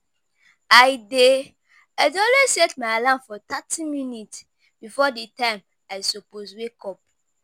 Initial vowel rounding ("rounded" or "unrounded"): unrounded